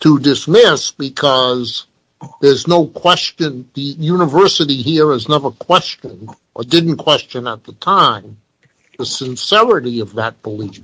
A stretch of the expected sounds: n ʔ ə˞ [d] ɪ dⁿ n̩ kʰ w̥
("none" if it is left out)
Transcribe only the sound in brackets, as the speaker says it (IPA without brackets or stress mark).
d